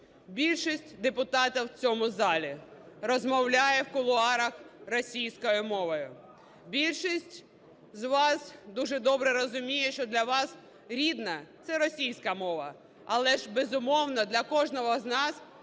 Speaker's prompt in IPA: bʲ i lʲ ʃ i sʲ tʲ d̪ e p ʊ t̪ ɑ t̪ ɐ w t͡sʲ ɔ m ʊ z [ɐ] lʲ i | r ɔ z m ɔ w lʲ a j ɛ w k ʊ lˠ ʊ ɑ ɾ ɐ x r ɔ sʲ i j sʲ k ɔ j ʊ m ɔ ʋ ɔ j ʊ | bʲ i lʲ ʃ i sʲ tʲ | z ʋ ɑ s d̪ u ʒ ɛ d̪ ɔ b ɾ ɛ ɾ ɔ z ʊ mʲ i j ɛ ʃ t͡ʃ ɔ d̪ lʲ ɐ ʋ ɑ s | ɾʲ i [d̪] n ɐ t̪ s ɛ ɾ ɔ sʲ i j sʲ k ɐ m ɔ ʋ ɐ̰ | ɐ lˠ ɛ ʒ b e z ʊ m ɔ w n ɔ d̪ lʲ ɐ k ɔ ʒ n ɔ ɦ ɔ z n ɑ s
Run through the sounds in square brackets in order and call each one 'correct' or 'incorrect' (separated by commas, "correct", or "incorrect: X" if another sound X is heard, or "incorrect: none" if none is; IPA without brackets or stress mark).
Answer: incorrect: ɑ, correct